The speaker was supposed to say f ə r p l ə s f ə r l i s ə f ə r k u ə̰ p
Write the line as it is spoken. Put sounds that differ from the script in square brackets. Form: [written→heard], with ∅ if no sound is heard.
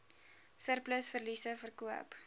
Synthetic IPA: [f→s] ə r p l ə s f ə r l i s ə f ə r k u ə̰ p